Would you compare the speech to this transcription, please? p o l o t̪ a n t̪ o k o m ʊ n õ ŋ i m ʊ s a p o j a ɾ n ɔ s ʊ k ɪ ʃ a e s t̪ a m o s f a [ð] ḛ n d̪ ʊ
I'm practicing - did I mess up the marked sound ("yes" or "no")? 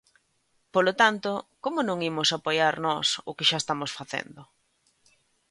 yes